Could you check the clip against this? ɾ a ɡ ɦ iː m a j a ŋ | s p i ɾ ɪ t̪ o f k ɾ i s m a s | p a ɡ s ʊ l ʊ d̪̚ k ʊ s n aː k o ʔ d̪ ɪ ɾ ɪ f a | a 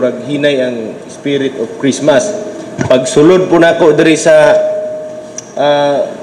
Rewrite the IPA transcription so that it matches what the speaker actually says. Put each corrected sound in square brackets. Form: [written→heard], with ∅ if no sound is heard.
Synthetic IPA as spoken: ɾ a ɡ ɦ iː [m→n] a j a ŋ | s p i ɾ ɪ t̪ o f k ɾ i s m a s | p a ɡ s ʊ l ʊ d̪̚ [k→p] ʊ [s→∅] n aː k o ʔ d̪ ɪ ɾ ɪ [f→s] a | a

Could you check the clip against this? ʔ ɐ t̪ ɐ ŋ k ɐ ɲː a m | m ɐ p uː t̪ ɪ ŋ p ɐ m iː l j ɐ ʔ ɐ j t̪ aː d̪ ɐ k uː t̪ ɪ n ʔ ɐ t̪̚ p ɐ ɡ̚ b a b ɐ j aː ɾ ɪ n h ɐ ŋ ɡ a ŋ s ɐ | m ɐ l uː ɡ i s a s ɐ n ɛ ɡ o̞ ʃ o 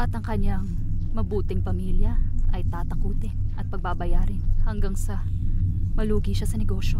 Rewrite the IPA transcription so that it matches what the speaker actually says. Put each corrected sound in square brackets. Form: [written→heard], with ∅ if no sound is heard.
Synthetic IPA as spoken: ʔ ɐ t̪ ɐ ŋ k ɐ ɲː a [m→ŋ] | m ɐ [p→b] uː t̪ ɪ ŋ p ɐ m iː l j ɐ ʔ ɐ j t̪ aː [d̪→t̪] ɐ k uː t̪ ɪ n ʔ ɐ t̪̚ p ɐ ɡ̚ b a b ɐ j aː ɾ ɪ n h ɐ ŋ ɡ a ŋ s ɐ | m ɐ l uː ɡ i [s→ʃ] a s ɐ n ɛ ɡ o̞ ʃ o

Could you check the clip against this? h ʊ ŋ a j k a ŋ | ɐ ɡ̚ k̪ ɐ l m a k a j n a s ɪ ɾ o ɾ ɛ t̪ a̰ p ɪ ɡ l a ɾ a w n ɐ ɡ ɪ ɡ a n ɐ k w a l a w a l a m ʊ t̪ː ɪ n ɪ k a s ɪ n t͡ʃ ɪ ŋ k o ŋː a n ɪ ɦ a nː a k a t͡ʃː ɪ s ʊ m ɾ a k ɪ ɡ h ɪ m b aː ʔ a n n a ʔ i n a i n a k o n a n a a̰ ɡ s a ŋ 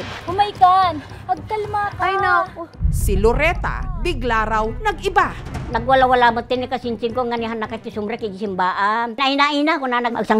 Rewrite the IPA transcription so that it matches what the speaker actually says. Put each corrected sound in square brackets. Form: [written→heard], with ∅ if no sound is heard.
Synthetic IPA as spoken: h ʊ [ŋ→m] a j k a [ŋ→n] | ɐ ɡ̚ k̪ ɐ l m a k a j n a s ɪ [ɾ→l] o ɾ ɛ t̪ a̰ [p→b] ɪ ɡ l a ɾ a w n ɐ ɡ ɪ [ɡ→b] a n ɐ [k→ɡ] w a l a w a l a m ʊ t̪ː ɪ n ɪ k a s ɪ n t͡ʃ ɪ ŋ k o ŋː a n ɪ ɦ a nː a k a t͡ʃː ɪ s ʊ m ɾ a k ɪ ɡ [h→s] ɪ m b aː ʔ a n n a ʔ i n a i n a k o n a n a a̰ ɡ s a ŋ

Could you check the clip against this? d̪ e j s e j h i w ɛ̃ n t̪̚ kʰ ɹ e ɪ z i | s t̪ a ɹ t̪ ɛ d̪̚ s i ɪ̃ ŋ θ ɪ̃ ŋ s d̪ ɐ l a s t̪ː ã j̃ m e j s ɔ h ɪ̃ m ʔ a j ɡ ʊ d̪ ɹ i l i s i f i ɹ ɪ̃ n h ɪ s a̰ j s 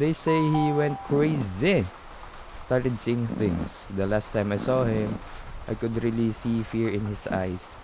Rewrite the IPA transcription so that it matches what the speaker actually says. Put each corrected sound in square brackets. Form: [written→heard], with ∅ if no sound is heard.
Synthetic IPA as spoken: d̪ e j s e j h i w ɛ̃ n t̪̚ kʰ ɹ e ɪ z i | s t̪ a ɹ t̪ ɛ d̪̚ s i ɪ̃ ŋ θ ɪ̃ ŋ s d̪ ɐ l a s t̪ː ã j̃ m [e→a] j s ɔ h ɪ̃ m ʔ a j [ɡ→k] ʊ d̪ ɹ i l i s i f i ɹ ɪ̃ n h ɪ s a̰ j s

